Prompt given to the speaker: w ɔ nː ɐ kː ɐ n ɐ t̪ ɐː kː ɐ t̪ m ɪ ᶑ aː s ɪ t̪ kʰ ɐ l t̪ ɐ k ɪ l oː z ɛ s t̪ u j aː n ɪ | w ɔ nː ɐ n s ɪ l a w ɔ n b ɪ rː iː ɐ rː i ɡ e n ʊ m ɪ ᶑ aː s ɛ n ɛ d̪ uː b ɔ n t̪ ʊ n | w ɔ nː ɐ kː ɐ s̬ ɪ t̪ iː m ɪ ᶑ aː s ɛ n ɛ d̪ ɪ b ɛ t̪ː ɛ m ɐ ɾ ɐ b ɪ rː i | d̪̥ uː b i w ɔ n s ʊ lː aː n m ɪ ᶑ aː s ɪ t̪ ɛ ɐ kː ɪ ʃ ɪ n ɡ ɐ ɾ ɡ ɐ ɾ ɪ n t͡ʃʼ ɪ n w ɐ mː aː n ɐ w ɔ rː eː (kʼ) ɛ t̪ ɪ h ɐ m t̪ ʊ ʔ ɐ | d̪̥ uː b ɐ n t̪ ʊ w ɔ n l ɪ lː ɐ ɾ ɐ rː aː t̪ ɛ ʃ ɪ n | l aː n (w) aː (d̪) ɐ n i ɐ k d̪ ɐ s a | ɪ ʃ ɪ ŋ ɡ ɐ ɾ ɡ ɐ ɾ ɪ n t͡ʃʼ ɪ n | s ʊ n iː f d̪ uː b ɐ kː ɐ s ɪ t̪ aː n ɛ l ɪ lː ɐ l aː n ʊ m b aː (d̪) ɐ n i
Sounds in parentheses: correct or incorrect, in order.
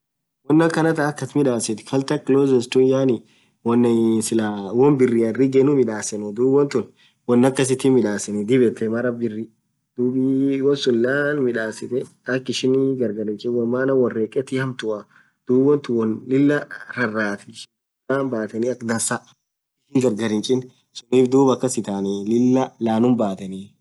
correct, incorrect, incorrect, incorrect

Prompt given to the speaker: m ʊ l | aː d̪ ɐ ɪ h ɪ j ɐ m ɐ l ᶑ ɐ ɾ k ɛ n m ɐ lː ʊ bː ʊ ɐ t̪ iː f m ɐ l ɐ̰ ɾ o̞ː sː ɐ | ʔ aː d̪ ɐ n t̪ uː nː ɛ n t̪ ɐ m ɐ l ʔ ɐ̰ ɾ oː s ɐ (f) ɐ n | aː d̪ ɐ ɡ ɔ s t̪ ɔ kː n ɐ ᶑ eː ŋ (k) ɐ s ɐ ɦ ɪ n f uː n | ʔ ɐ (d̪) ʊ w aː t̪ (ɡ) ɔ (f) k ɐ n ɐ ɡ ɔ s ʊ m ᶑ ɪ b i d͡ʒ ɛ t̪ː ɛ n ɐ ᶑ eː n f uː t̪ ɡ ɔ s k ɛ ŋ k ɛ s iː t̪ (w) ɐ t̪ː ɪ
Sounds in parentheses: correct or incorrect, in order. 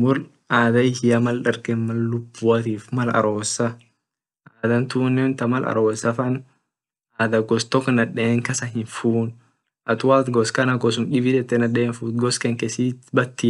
correct, correct, incorrect, correct, incorrect, incorrect

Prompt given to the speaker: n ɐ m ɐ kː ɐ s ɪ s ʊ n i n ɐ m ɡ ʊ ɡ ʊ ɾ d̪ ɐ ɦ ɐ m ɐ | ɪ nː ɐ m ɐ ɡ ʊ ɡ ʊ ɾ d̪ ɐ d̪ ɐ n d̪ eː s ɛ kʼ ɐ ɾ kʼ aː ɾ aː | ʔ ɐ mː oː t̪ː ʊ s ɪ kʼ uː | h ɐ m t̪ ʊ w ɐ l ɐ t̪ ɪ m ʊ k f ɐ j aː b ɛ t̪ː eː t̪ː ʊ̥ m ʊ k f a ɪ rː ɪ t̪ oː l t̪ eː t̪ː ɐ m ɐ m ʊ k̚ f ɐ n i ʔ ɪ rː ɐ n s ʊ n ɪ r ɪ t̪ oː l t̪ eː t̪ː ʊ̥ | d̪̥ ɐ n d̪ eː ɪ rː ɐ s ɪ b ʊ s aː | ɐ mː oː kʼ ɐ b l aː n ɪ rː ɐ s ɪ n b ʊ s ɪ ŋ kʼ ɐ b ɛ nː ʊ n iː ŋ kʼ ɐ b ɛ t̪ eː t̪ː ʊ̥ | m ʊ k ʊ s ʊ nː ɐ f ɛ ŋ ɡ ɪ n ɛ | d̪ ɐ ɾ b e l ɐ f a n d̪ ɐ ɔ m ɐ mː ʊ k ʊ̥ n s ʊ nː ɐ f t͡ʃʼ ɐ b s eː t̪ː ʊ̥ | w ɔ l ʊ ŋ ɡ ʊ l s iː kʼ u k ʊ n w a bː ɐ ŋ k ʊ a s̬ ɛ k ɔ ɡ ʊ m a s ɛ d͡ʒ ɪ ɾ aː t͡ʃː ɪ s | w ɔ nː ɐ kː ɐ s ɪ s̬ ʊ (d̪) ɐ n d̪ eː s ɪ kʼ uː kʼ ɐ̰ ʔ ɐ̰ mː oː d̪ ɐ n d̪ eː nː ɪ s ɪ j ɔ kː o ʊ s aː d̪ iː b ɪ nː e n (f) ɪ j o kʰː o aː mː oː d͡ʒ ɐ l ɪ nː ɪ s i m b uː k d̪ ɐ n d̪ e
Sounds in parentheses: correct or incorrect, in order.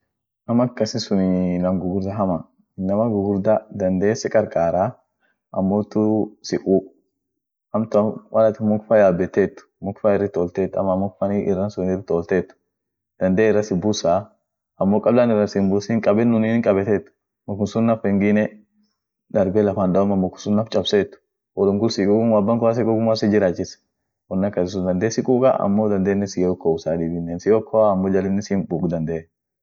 correct, incorrect

